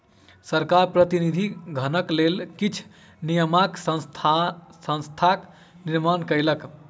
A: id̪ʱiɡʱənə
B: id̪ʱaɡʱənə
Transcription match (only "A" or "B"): A